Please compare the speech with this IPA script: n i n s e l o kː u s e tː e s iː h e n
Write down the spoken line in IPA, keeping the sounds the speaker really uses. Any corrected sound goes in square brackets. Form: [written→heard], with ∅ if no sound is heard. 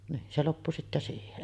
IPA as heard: n [i→iː] n s e l o [kː→pː] u s [e→i] tː [e→æ] s iː h e n